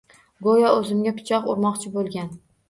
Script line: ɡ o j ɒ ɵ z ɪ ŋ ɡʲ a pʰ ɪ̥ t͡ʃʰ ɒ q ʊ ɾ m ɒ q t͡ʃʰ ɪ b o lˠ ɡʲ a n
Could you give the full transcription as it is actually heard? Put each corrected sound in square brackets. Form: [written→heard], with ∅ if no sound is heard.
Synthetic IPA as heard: ɡ o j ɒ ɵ z ɪ [ŋ→m] ɡʲ a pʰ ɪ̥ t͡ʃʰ ɒ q ʊ ɾ m ɒ q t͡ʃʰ ɪ b o lˠ ɡʲ a n

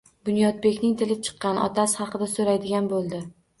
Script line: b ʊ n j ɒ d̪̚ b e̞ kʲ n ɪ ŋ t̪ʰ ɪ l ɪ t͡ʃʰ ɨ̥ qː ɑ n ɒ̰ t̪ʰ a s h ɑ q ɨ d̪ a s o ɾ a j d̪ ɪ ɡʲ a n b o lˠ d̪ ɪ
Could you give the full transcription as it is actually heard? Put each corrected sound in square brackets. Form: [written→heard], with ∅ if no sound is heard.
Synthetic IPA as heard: b ʊ n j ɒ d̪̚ b e̞ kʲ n ɪ ŋ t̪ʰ ɪ l ɪ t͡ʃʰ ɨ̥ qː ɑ n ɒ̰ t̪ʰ a s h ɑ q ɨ d̪ a s o ɾ a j d̪ ɪ ɡʲ a n b o lˠ d̪ ɪ

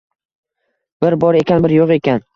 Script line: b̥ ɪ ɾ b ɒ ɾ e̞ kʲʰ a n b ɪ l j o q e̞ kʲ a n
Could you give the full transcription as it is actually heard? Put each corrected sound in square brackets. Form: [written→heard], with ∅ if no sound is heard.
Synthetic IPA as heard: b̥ ɪ ɾ b ɒ ɾ e̞ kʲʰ a n b ɪ [l→ɾ] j o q e̞ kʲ a n

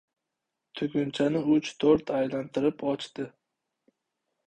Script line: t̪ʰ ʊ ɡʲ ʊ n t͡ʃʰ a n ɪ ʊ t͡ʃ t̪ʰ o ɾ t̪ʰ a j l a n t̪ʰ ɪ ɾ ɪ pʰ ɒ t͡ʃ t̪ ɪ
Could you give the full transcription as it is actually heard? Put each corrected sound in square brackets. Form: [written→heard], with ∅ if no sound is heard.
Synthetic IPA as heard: t̪ʰ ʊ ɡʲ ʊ n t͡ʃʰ a n ɪ ʊ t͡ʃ t̪ʰ o ɾ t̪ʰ a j l a n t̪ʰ ɪ ɾ ɪ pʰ ɒ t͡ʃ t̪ ɪ

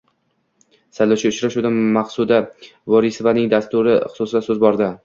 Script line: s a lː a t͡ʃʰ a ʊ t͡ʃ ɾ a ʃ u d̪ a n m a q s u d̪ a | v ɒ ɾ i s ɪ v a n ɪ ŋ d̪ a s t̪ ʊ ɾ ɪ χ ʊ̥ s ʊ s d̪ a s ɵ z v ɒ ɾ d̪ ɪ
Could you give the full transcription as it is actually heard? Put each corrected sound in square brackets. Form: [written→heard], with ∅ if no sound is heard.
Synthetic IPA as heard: s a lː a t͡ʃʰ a ʊ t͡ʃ ɾ a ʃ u d̪ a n m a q s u d̪ a | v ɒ ɾ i s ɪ v a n ɪ ŋ d̪ a s t̪ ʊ ɾ ɪ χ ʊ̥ s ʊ s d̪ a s ɵ z [v→b] ɒ ɾ d̪ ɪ

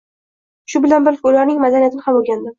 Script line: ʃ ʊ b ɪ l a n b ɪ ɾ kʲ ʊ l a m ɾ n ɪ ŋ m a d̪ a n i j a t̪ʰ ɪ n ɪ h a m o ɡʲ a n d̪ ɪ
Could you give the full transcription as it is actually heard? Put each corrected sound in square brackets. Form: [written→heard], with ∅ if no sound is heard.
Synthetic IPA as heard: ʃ ʊ b ɪ l a n b ɪ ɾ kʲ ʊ l a [m→∅] ɾ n ɪ ŋ m a d̪ a n i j a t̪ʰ ɪ n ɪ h a m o ɡʲ a n d̪ ɪ

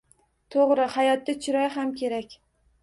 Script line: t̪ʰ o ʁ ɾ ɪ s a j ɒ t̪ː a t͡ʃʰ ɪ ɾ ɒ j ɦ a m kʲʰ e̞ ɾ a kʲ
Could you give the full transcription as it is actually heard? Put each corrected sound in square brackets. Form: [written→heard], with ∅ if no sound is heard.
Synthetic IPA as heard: t̪ʰ o ʁ ɾ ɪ [s→h] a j ɒ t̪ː a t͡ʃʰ ɪ ɾ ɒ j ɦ a m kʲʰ e̞ ɾ a kʲ

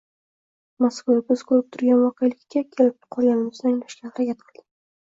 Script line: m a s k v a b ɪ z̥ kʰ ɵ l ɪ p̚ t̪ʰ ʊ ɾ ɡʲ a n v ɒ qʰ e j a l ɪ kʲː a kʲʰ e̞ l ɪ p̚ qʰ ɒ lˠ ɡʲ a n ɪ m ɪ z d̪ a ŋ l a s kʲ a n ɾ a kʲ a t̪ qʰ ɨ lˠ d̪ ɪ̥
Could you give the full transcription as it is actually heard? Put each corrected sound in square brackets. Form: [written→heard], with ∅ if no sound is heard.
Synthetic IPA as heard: m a s k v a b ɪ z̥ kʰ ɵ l ɪ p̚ t̪ʰ ʊ ɾ ɡʲ a n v ɒ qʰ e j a l ɪ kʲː a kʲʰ e̞ l ɪ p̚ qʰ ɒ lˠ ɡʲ a n ɪ m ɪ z d̪ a ŋ l a [s→ʃ] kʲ a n ɾ a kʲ a t̪ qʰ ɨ lˠ d̪ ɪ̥

